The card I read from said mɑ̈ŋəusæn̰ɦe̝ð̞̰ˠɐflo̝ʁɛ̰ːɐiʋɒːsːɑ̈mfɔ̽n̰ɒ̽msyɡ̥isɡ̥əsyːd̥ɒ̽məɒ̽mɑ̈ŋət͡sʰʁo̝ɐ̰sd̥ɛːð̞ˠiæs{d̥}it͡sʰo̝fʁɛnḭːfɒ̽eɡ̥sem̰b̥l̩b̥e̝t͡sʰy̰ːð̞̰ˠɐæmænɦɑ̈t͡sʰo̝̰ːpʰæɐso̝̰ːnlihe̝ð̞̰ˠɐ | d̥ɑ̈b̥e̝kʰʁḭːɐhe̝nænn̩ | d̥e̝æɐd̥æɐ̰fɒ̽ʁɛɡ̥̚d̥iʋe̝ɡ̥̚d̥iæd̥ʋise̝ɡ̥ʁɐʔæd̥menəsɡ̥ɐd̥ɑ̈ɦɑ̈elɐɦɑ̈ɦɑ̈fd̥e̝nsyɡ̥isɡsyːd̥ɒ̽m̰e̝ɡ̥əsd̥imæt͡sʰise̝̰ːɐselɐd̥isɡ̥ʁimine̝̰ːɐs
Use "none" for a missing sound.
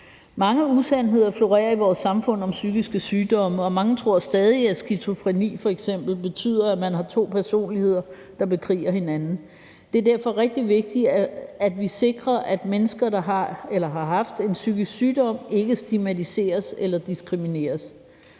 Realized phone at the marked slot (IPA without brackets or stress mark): ɡ̥